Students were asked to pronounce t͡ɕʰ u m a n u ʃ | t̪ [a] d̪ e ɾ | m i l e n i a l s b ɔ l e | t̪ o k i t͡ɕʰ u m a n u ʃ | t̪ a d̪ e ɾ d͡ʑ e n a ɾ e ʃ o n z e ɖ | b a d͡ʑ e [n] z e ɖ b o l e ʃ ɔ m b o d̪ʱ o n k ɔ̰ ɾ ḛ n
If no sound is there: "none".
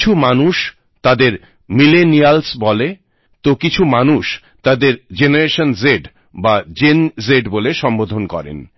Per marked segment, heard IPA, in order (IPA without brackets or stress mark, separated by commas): a, n